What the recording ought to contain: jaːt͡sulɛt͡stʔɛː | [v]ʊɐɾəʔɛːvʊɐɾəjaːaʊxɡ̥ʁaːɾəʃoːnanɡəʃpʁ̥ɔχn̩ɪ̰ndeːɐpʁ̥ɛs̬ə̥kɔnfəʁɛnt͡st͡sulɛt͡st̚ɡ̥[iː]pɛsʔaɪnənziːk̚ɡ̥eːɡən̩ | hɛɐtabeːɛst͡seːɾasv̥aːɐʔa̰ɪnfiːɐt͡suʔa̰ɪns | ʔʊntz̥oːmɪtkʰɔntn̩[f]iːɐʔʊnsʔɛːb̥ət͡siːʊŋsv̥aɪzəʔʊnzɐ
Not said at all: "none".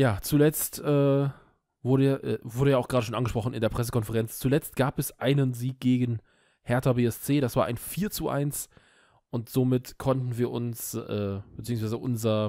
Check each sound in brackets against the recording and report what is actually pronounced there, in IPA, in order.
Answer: v, aː, v

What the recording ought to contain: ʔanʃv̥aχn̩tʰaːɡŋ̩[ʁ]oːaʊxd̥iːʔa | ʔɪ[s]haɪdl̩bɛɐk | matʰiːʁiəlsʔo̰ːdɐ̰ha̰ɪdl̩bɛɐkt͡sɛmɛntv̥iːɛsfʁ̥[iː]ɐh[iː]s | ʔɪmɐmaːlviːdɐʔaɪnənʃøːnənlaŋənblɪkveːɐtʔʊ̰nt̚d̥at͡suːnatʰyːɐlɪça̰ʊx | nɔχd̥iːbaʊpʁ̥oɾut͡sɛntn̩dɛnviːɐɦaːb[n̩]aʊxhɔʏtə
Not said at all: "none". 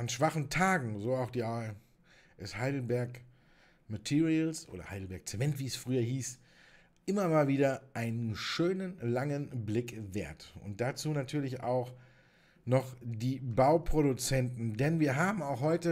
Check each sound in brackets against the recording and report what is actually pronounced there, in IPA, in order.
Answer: z, s, yː, iː, m̩

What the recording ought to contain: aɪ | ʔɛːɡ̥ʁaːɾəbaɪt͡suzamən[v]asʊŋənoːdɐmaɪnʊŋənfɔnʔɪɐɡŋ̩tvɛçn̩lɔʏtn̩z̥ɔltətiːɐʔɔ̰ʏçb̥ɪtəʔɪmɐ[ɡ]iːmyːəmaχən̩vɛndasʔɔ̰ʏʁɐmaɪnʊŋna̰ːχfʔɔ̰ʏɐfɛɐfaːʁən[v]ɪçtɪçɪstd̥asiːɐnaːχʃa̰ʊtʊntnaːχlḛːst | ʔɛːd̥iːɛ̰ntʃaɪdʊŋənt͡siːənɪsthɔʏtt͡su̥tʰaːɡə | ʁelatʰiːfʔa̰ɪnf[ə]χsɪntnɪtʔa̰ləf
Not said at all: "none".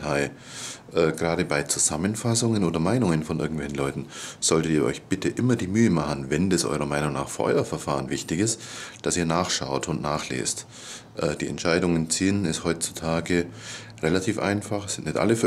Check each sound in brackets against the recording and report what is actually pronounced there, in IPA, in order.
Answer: f, d, v, a

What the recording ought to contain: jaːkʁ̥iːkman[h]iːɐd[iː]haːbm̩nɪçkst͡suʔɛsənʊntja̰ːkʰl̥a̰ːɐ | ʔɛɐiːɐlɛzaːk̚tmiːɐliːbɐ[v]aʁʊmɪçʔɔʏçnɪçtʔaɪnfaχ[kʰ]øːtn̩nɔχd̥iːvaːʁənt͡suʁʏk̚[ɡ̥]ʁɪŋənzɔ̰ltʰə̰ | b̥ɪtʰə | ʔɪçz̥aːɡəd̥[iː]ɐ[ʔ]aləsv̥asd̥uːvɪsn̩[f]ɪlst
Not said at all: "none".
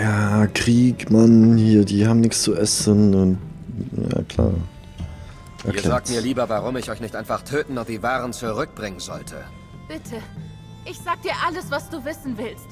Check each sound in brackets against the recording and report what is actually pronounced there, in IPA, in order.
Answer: h, iː, v, tʰ, b̥, iː, ʔ, v

